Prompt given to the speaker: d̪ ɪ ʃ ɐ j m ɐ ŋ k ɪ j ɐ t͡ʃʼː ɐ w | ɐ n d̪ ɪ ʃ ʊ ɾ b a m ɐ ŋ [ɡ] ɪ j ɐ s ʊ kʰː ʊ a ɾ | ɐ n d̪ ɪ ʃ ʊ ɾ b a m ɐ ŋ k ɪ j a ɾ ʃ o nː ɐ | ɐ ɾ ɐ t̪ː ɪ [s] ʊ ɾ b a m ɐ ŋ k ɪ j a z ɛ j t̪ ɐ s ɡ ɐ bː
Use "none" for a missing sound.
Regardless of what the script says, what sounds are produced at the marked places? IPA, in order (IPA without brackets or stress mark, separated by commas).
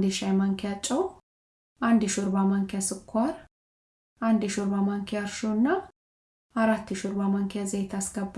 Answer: k, ʃ